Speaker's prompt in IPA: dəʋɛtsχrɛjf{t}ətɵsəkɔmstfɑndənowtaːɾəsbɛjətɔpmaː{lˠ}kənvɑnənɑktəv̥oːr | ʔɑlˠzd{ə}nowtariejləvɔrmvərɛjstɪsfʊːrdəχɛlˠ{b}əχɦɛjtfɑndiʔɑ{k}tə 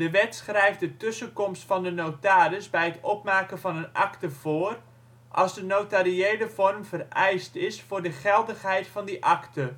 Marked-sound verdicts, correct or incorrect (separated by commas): incorrect, incorrect, correct, incorrect, correct